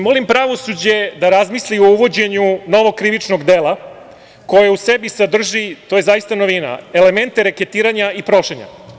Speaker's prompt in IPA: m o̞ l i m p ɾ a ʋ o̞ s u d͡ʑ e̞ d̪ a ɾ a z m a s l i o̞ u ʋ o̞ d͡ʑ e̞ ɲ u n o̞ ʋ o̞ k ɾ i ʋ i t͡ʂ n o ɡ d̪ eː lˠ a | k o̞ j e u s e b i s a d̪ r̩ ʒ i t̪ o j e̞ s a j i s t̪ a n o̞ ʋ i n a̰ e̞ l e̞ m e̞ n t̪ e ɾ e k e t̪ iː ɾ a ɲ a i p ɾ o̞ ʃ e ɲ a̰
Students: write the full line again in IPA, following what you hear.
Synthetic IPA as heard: m o̞ l i m p ɾ a ʋ o̞ s u d͡ʑ e̞ d̪ a ɾ a z m i s l i o̞ u ʋ o̞ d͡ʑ e̞ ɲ u n o̞ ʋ o̞ k ɾ i ʋ i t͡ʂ n o ɡ d̪ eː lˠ a | k o̞ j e u s e b i s a d̪ r̩ ʒ i t̪ o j e̞ z a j i s t̪ a n o̞ ʋ i n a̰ e̞ l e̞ m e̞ n t̪ e ɾ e k e t̪ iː ɾ a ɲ a i p ɾ o̞ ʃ e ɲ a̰